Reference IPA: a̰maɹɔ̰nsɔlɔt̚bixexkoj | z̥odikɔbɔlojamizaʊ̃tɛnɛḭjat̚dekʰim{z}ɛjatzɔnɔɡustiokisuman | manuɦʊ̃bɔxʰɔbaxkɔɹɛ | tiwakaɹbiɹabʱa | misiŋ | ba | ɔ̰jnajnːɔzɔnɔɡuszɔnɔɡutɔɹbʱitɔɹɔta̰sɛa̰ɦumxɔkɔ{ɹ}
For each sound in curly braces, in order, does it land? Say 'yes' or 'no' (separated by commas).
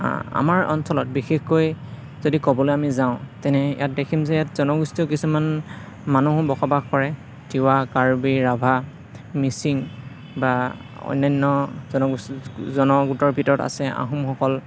yes, no